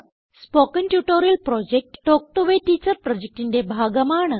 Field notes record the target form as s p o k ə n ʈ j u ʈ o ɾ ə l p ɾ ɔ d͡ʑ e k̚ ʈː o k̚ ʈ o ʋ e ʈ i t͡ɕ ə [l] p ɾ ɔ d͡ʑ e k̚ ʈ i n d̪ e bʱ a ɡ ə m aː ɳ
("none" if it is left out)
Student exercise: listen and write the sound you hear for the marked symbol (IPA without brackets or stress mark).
ɾ